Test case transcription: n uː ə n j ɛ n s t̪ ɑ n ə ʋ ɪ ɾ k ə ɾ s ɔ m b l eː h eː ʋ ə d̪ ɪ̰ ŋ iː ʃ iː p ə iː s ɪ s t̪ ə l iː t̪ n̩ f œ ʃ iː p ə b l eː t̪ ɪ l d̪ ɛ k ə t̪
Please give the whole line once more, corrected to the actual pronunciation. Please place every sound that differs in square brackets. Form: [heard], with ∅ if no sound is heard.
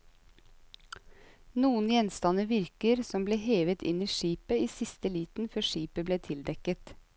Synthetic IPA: n uː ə n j ɛ n s t̪ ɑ n ə ʋ ɪ ɾ k ə ɾ s ɔ m b l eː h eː ʋ ə [t̪] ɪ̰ [n] iː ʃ iː p ə iː s ɪ s t̪ ə l iː t̪ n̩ f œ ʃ iː p ə b l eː [t̪ʰ] ɪ l d̪ ɛ k ə t̪